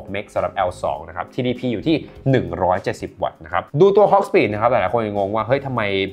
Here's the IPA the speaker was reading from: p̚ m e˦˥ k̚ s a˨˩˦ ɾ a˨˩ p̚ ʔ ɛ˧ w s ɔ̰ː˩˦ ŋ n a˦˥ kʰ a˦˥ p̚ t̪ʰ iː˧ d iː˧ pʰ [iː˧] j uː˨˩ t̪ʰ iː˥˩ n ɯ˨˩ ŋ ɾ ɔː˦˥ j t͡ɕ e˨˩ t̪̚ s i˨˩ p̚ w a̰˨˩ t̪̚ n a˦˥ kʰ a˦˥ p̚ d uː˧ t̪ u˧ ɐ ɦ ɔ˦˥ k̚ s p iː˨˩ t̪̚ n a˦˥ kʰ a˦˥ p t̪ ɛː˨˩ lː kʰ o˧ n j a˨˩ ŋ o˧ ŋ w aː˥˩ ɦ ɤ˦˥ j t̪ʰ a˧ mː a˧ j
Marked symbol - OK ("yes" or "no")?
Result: yes